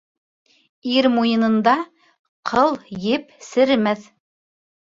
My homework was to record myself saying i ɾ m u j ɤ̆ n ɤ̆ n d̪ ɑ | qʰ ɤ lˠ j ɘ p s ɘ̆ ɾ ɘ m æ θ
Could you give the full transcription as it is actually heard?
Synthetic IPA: i ɾ m u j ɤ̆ n ɤ̆ n d̪ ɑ | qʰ ɤ lˠ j ɘ p s ɘ̆ ɾ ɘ m æ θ